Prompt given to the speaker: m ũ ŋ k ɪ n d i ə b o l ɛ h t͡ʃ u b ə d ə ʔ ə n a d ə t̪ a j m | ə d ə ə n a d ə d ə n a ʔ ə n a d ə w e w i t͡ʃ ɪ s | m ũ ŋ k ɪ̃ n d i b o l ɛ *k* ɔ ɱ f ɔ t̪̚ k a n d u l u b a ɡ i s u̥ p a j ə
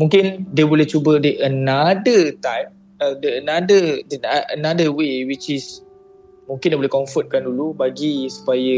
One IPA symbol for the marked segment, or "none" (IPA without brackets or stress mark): k